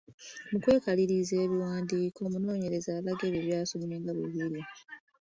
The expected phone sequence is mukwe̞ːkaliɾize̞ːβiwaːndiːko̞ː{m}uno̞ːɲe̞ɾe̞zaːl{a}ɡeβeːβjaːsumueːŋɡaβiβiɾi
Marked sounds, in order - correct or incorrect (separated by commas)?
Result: correct, correct